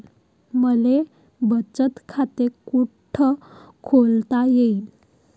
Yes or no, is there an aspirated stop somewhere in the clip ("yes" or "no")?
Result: yes